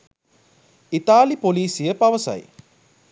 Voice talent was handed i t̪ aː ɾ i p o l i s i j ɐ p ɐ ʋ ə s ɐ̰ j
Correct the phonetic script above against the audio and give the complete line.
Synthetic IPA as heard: i t̪ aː l i p o l iː s i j ə p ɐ ʋ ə s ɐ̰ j